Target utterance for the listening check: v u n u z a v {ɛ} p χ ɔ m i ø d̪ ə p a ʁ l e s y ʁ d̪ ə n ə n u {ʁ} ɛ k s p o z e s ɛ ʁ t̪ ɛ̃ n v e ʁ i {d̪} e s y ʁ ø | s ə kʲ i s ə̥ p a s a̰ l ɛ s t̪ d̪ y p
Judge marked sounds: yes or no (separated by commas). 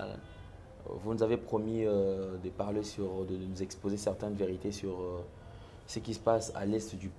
no, no, no